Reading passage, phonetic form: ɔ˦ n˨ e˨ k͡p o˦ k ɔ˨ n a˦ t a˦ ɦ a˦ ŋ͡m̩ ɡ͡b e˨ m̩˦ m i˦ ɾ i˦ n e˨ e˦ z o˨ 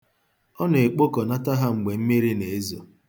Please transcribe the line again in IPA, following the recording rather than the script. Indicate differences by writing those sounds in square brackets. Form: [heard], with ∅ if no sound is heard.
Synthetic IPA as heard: ɔ˦ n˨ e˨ k͡p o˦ k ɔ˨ n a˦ t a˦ ɦ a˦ ŋ͡m̩ ɡ͡b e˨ m̩˦ m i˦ ɾ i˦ n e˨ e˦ z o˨